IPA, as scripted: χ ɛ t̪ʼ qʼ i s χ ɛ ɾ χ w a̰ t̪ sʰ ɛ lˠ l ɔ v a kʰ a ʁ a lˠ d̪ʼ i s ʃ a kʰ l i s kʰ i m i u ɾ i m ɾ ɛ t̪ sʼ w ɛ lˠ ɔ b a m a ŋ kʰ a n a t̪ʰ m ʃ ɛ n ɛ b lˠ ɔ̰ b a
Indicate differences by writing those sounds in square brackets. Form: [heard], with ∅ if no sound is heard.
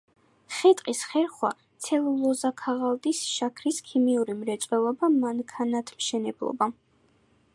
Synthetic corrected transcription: χ ɛ t̪ʼ qʼ i s χ ɛ ɾ χ w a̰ t̪ sʰ ɛ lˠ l ɔ [z] a kʰ a ʁ a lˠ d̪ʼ i s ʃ a kʰ [ɾ] i s kʰ i m i u ɾ i m ɾ ɛ t̪ sʼ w ɛ lˠ ɔ b a m a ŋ kʰ a n a t̪ʰ m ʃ ɛ n ɛ b lˠ ɔ̰ b a

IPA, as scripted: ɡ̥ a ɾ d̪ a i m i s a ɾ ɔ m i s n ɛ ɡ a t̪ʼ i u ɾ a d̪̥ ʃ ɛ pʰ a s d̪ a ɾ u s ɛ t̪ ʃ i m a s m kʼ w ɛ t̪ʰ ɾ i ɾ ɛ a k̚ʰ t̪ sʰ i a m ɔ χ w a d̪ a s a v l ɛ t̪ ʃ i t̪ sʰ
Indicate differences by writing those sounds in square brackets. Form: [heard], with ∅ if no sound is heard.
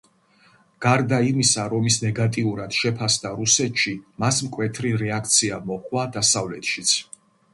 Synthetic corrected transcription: ɡ̥ a ɾ d̪ a i m i s a ɾ ɔ m i s n ɛ ɡ a t̪ʼ i u ɾ a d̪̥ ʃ ɛ pʰ a s d̪ a ɾ u s ɛ t̪ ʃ i m a s m kʼ w ɛ t̪ʰ ɾ i ɾ ɛ a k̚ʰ t̪ sʰ i a m ɔ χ w a d̪ a s a v l ɛ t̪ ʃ i t̪ sʰ

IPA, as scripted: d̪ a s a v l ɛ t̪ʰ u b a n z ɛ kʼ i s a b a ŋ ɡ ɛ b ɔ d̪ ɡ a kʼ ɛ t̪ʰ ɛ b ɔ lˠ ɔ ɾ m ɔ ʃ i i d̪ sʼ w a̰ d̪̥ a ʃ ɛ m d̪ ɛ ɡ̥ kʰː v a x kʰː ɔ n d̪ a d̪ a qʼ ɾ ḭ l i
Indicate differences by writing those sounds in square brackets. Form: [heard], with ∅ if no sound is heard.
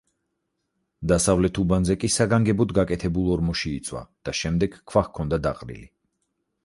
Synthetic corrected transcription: d̪ a s a v l ɛ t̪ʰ u b a n z ɛ kʼ i s a [ɡ] a ŋ ɡ ɛ b ɔ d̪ ɡ a kʼ ɛ t̪ʰ ɛ b [u] lˠ ɔ ɾ m ɔ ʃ i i [t̪] sʼ w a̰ d̪̥ a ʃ ɛ m d̪ ɛ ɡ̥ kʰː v a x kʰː ɔ n d̪ a d̪ a qʼ ɾ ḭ l i

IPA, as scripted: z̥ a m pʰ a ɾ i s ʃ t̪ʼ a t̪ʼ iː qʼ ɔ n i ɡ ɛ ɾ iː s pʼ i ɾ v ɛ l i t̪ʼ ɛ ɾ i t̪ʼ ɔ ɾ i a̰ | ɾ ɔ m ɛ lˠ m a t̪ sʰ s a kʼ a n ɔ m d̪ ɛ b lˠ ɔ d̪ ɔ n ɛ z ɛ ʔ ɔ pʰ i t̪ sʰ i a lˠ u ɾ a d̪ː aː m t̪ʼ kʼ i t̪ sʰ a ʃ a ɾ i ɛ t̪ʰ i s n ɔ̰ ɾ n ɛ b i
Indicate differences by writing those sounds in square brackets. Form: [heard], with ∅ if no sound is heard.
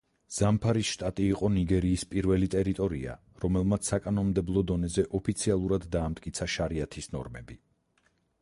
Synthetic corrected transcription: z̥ a m pʰ a ɾ i s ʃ t̪ʼ a t̪ʼ iː qʼ ɔ n i ɡ ɛ ɾ iː s pʼ i ɾ v ɛ l i t̪ʼ ɛ ɾ i t̪ʼ ɔ ɾ i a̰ | ɾ ɔ m ɛ lˠ m a t̪ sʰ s a kʼ a n ɔ m d̪ ɛ b lˠ ɔ d̪ ɔ n ɛ z ɛ ʔ ɔ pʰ i t̪ sʰ i a lˠ u ɾ a d̪ː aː m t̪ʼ kʼ i t̪ sʰ a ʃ a ɾ i [a] t̪ʰ i s n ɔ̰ ɾ [m] ɛ b i

